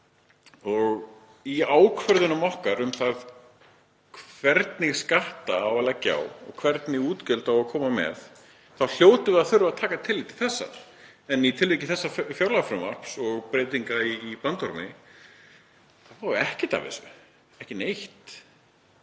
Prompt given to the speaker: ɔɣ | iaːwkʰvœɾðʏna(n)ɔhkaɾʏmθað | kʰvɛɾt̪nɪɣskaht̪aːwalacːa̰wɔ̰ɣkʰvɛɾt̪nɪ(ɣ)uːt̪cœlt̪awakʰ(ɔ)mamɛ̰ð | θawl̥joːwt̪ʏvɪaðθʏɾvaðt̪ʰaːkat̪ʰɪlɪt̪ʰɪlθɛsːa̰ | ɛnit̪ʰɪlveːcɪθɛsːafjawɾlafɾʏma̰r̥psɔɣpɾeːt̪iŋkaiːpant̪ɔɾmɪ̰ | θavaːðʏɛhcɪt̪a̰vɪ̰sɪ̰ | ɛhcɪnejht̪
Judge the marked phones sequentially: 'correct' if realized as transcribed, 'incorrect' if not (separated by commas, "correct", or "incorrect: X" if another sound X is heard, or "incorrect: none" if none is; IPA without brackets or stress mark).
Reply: incorrect: m, correct, incorrect: ɔː